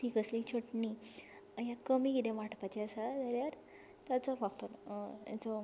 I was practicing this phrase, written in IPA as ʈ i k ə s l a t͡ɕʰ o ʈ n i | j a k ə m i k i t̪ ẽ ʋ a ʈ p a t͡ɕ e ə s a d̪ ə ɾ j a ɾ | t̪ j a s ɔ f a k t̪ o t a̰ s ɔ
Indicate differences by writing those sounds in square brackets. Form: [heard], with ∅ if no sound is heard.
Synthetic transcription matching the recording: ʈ i k ə s l [i] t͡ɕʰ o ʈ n i | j a k ə m i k i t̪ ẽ ʋ a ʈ p a t͡ɕ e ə s a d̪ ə ɾ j a ɾ | t̪ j a [t͡s] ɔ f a k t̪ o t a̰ [t͡s] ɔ